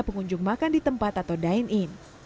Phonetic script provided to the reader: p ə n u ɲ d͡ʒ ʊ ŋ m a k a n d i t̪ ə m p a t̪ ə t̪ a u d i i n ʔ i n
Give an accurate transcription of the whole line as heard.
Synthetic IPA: p ə ŋ u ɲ d͡ʒ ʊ ŋ m a k a n d i t̪ ə m p a t̪ a t̪ a w d a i n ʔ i n